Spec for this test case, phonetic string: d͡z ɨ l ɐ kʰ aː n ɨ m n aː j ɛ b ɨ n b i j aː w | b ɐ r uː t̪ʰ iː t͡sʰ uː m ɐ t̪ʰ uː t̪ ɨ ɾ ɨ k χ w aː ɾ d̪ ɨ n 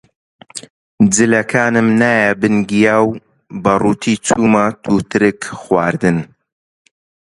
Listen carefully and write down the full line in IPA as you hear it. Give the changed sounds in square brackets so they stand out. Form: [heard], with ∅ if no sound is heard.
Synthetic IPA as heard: d͡z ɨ l ɐ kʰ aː n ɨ m n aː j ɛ b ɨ n [ɡ] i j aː w | b ɐ r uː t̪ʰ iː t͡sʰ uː m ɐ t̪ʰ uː t̪ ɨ ɾ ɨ k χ w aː ɾ d̪ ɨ n